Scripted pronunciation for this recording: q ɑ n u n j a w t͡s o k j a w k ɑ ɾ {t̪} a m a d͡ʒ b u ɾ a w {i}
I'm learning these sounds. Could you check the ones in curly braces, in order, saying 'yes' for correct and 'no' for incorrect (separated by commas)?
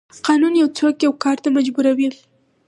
yes, yes